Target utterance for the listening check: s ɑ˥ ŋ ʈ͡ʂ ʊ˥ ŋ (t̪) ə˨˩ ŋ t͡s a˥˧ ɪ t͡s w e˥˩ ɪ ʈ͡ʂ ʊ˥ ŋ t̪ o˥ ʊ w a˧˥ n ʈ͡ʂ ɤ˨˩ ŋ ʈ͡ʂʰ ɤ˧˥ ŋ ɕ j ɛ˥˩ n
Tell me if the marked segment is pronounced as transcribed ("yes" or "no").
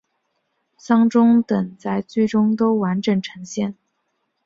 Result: yes